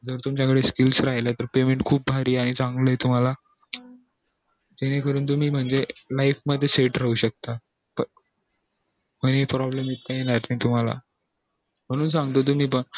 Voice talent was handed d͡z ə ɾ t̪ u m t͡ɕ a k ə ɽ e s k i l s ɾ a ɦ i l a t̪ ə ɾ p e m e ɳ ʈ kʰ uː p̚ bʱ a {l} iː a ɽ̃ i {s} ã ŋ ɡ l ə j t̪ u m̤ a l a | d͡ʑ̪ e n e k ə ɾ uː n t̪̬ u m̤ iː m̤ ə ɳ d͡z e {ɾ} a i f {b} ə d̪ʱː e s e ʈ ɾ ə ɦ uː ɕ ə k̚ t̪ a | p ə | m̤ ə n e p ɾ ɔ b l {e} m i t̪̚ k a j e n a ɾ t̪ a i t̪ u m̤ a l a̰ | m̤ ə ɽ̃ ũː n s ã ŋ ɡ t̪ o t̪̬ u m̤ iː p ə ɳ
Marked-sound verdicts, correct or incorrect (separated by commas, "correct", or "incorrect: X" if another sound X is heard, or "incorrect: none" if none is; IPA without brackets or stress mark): incorrect: ɾ, incorrect: t͡s, incorrect: l, incorrect: m, correct